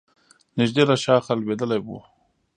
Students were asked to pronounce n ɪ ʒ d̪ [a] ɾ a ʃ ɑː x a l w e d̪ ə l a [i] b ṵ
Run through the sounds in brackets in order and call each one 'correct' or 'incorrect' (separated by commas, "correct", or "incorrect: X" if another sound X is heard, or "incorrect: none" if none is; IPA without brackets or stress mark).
incorrect: e, incorrect: j